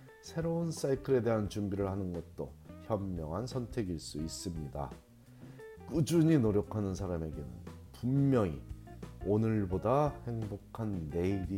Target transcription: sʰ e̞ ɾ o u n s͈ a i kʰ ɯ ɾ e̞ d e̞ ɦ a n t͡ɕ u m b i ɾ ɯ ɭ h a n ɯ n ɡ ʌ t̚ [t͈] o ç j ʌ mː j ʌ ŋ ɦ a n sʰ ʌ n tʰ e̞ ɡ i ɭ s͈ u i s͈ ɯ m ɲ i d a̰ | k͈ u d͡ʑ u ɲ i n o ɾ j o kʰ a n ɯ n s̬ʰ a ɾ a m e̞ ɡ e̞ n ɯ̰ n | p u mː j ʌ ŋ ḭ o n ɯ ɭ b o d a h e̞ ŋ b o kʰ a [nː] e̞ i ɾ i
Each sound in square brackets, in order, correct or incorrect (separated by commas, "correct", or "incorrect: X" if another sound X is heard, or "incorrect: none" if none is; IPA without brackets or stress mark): correct, correct